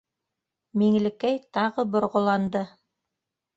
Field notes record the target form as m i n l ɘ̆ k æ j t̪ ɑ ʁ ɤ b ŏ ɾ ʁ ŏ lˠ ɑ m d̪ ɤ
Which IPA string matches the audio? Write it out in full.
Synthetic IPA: m i ŋ l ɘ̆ k æ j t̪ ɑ ʁ ɤ b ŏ ɾ ʁ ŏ lˠ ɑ n d̪ ɤ